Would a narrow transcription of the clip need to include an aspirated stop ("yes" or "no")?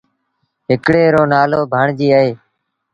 no